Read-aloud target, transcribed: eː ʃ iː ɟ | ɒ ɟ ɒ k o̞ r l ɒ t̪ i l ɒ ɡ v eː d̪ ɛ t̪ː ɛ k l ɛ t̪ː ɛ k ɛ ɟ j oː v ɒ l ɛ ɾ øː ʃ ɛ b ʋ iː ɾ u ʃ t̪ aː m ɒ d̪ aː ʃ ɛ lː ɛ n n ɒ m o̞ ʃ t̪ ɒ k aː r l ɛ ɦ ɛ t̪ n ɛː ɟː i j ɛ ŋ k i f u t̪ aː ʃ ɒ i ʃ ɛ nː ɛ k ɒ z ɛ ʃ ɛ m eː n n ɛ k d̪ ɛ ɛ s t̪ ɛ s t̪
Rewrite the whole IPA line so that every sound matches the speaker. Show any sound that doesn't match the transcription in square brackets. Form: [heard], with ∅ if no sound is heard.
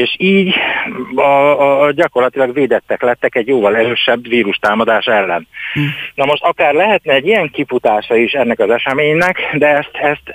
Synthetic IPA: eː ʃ iː ɟ | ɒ ɟ ɒ k o̞ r l ɒ t̪ i l ɒ ɡ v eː d̪ ɛ t̪ː ɛ k l ɛ t̪ː ɛ k ɛ ɟ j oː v ɒ l ɛ ɾ øː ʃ ɛ b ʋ iː ɾ u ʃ t̪ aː m ɒ d̪ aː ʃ ɛ lː ɛ n n ɒ m o̞ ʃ t̪ ɒ k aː r l ɛ ɦ ɛ t̪ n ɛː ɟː i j ɛ ŋ k i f u t̪ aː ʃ ɒ i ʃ ɛ nː ɛ k ɒ z ɛ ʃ ɛ m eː [ɲ] n ɛ k d̪ ɛ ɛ s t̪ ɛ s t̪